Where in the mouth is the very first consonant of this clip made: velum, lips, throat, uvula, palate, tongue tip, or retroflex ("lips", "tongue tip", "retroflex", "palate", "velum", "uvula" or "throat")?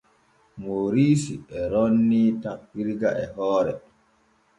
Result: lips